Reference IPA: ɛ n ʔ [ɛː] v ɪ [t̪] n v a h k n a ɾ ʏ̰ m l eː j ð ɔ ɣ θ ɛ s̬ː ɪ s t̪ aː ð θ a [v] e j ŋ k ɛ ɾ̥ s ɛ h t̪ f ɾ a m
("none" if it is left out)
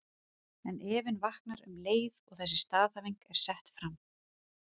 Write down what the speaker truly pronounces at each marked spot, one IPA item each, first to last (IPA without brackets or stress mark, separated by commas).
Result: ɛː, none, v